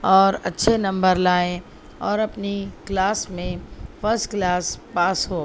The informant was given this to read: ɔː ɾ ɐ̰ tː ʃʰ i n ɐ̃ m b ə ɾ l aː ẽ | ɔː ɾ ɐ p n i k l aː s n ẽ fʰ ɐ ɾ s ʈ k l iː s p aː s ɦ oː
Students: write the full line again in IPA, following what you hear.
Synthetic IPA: ɔː ɾ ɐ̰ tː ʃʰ e n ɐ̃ m b ə ɾ l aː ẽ | ɔː ɾ ɐ p n i k l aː s m ẽ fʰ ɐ ɾ s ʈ k l aː s p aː s ɦ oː